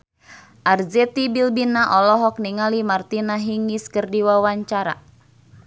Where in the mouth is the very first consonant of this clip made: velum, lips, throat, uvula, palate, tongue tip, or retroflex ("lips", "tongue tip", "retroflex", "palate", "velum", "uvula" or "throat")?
throat